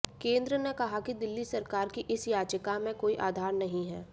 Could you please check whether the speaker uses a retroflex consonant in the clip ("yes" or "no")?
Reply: no